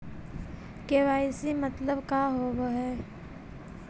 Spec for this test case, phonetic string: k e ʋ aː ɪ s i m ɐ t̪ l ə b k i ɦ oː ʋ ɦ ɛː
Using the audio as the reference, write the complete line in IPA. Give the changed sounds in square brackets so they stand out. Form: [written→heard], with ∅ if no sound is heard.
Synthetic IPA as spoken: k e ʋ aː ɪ s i m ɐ t̪ l ə b k [i→a] ɦ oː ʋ ɦ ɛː